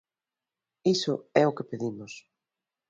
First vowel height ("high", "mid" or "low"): high